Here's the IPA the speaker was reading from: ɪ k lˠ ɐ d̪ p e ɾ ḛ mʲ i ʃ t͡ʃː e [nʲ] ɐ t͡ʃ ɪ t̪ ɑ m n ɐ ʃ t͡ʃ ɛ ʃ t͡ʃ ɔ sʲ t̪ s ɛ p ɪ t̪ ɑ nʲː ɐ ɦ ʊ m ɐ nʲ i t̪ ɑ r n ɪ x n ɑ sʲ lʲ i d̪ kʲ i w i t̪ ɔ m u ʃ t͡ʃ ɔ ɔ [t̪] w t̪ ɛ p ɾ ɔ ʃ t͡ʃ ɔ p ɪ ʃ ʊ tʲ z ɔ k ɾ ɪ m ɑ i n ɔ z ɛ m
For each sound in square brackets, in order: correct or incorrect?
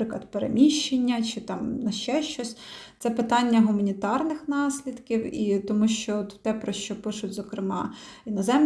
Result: incorrect: nʲː, correct

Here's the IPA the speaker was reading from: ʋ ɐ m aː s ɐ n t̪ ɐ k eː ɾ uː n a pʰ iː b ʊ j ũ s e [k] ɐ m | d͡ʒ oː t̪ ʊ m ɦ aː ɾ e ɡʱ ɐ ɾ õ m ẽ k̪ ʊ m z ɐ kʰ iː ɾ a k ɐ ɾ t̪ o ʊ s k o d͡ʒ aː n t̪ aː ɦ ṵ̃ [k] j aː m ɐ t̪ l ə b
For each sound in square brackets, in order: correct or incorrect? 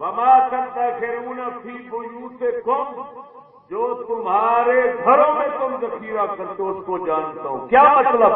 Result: correct, correct

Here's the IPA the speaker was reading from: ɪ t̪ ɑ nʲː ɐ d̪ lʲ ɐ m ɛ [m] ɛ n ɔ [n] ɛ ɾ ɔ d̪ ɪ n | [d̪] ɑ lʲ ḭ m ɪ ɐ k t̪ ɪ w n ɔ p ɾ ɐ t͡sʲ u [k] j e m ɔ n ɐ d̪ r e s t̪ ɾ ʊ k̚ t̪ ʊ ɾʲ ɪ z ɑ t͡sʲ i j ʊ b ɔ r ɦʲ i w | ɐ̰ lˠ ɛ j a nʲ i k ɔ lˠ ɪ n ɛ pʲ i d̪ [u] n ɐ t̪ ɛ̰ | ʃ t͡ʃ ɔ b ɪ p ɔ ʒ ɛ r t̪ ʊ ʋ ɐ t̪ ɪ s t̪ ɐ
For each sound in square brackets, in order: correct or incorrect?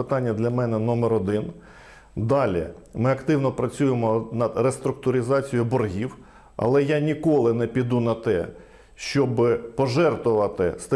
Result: incorrect: n, incorrect: m, correct, incorrect: none, correct

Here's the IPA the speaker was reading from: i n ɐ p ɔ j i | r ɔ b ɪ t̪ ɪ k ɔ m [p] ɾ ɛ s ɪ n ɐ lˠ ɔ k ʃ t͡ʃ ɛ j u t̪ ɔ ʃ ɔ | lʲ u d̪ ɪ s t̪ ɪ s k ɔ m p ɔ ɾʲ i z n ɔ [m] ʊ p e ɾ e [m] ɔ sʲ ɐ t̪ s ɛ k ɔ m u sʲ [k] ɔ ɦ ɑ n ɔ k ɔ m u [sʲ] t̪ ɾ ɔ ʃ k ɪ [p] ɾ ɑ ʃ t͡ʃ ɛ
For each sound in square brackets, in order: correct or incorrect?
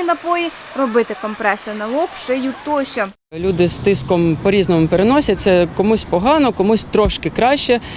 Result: correct, correct, incorrect: n, incorrect: p, correct, incorrect: k

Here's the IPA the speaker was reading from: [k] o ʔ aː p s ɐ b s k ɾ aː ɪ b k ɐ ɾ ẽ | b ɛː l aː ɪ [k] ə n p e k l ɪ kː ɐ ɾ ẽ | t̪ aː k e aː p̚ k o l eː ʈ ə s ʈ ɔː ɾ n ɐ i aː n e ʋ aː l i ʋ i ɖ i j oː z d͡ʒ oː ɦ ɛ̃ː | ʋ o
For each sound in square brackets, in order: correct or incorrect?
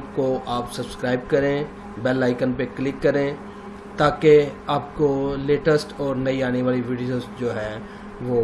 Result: correct, correct

